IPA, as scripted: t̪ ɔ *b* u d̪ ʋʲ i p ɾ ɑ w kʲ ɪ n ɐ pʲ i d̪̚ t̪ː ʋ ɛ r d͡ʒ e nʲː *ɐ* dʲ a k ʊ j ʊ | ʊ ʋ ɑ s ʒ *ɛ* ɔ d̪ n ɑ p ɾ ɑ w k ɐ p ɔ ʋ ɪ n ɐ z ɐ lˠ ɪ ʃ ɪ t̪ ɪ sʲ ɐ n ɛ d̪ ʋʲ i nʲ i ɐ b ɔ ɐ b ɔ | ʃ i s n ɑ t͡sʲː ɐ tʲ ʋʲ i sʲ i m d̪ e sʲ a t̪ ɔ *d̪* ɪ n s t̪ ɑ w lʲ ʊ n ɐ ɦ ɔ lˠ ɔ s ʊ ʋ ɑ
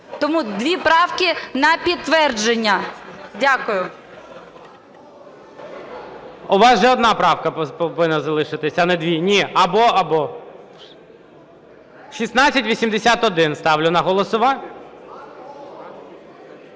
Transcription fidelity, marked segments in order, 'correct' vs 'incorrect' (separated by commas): incorrect, correct, correct, correct